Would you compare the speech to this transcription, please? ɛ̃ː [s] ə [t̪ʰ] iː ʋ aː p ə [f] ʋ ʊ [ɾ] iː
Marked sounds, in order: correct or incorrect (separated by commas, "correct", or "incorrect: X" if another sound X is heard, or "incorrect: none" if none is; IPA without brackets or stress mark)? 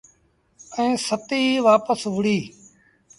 correct, incorrect: t̪, incorrect: s, incorrect: ɽ